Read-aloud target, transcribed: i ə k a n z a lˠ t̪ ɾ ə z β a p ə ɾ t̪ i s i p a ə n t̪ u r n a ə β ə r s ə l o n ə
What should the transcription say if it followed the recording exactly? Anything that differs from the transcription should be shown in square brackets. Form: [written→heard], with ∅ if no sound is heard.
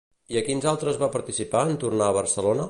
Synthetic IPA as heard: i ə k [a→i] n z a lˠ t̪ ɾ ə z β a p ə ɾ t̪ i s i p a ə n t̪ u r n a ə β ə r s ə l o n ə